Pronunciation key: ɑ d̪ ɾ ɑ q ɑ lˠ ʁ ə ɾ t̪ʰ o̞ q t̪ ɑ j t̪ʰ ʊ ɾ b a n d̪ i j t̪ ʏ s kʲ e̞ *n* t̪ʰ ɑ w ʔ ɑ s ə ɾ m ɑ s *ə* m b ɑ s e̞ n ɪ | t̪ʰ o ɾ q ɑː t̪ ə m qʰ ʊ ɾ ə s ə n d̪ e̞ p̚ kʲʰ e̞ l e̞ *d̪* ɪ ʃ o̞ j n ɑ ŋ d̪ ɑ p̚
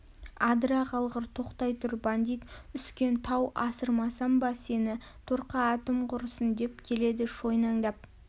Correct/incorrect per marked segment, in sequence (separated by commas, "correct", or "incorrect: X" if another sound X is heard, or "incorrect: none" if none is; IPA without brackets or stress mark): correct, incorrect: ɑ, correct